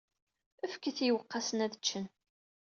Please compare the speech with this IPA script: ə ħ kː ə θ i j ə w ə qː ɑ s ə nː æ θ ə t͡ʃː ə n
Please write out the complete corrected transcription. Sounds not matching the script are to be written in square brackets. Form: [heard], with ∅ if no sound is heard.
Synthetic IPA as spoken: ə [f] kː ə θ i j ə w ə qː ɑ s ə [n] æ [ð] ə t͡ʃː ə n